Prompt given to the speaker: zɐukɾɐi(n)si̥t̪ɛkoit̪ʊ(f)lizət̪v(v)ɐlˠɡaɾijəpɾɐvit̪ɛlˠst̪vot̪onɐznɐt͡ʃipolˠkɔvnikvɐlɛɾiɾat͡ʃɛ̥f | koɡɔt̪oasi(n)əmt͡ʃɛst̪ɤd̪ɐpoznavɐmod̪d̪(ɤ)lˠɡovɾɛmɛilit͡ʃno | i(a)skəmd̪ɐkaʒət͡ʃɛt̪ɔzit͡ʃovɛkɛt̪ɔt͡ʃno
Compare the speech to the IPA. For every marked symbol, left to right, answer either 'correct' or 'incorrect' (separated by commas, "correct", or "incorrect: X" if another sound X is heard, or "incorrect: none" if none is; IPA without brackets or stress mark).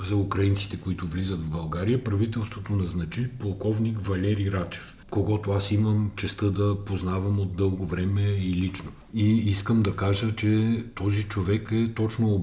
correct, incorrect: v, incorrect: b, incorrect: m, correct, incorrect: i